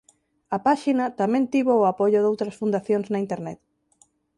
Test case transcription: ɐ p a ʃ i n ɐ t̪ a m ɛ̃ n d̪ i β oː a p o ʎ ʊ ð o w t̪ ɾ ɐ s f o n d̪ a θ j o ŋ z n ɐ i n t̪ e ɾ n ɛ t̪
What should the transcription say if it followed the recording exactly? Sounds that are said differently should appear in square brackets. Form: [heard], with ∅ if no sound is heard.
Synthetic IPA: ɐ p a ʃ i n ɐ t̪ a m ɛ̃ n [t̪] i β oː a p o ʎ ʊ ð o w t̪ ɾ ɐ s f [u] n d̪ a θ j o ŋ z n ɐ i n t̪ e ɾ n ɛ t̪